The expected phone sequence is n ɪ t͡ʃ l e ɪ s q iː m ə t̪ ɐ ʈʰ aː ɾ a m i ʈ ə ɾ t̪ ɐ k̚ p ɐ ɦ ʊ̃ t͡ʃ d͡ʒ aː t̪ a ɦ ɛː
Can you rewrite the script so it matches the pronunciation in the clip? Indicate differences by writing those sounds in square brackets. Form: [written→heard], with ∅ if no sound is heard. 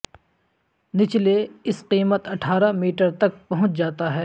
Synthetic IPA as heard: n ɪ t͡ʃ l e ɪ s q iː m ə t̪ ɐ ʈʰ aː ɾ a m [i→iː] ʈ ə ɾ t̪ ɐ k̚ p ɐ ɦ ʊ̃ t͡ʃ d͡ʒ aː t̪ a ɦ ɛː